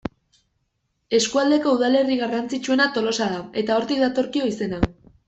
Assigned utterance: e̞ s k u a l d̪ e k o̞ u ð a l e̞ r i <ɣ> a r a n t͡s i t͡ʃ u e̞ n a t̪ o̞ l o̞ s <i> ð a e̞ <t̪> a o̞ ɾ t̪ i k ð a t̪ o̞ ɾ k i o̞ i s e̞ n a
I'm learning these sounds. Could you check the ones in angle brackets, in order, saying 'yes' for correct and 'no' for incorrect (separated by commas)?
yes, no, yes